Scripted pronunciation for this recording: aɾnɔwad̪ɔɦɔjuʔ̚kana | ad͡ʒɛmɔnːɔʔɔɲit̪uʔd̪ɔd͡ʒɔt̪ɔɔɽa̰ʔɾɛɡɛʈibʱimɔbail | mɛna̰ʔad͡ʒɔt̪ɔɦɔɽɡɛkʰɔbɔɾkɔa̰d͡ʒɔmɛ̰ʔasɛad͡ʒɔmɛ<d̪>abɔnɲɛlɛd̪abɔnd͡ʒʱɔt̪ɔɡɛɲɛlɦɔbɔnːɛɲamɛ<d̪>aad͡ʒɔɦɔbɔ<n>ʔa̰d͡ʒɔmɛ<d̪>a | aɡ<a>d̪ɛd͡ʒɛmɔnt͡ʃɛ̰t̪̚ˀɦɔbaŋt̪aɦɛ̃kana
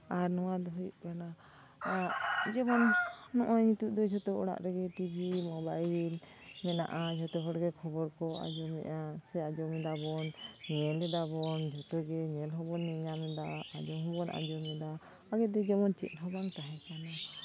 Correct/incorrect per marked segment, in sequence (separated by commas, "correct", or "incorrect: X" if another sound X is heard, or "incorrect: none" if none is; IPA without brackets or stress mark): correct, correct, correct, correct, incorrect: ɛ